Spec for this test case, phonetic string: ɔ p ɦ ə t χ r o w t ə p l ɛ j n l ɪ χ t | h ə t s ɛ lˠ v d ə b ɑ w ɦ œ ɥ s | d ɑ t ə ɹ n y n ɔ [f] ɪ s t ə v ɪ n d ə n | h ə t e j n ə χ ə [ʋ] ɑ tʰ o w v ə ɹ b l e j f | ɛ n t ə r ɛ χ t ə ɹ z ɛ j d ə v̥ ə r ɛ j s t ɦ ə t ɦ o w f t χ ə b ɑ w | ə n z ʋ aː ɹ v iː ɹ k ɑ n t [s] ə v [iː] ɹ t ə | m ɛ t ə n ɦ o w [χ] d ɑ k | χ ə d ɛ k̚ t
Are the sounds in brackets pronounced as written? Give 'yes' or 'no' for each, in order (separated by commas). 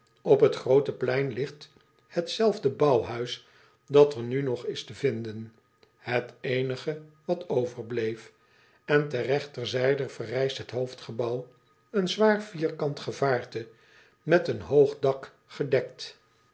no, yes, no, no, yes